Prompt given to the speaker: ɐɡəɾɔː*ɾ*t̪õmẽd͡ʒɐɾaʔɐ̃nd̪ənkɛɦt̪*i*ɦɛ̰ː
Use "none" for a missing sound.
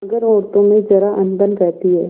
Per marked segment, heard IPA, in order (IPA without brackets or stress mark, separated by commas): ɾ, i